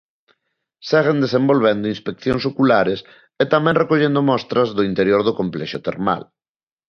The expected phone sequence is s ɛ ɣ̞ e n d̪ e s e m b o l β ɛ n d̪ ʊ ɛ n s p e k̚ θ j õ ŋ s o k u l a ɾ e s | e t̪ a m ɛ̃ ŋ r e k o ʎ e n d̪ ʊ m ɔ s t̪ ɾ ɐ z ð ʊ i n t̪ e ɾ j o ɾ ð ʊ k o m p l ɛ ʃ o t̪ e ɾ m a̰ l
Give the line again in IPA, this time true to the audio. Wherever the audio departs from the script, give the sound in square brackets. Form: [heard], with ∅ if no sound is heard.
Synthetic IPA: s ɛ ɣ̞ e n d̪ e s e m b o l β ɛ n d̪ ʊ [i] n s p e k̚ θ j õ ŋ s o k u l a ɾ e s | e t̪ a m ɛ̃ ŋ r e k o ʎ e n d̪ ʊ m ɔ s t̪ ɾ ɐ z ð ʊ i n t̪ e ɾ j o ɾ ð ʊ k o m p l ɛ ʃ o t̪ e ɾ m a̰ l